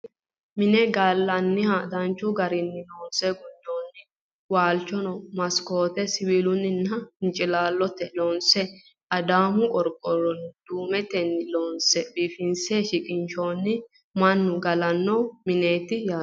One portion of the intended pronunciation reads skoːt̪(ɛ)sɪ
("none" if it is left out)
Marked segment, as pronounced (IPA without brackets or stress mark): ɛ